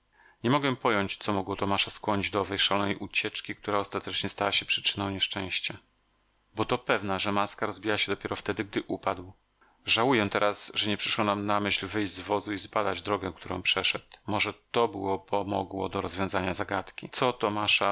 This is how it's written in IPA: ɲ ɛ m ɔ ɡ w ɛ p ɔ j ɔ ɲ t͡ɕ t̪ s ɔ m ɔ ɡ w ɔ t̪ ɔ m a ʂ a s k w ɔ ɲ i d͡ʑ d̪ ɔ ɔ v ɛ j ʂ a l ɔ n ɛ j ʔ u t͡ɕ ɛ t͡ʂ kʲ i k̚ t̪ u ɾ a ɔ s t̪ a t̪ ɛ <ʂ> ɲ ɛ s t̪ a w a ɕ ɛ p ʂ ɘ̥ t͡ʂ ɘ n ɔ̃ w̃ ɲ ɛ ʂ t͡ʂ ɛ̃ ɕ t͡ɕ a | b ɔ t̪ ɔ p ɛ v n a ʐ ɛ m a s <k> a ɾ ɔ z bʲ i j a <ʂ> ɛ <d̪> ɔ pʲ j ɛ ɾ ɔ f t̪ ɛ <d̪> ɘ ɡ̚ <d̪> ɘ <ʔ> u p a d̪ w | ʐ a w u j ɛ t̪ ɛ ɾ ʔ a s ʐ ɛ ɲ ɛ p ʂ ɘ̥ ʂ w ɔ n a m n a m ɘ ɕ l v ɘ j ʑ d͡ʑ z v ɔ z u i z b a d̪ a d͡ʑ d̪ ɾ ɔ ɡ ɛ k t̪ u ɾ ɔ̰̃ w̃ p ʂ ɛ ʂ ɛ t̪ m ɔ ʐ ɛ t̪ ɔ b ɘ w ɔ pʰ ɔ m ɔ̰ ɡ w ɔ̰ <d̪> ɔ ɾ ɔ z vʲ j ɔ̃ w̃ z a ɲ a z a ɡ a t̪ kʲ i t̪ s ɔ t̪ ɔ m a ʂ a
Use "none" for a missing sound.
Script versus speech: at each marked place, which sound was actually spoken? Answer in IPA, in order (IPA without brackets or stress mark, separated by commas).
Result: t͡ʂ, k, ɕ, d̪, d̪, d̪, ʔ, d̪